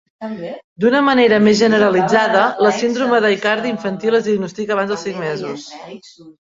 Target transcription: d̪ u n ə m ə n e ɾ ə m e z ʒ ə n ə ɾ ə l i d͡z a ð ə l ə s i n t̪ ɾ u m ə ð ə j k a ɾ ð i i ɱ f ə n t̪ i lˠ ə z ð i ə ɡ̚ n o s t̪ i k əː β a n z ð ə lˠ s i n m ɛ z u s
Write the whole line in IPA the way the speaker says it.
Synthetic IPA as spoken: d̪ u n ə m ə n e ɾ ə m e z ʒ ə n ə ɾ ə l i d͡z a ð ə l ə s i n d̪ ɾ u m ə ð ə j k a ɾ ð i i ɱ f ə n t̪ i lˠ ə z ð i ə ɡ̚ n u s t̪ i k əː β a n z ð ə lˠ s i ŋ m ɛ z u s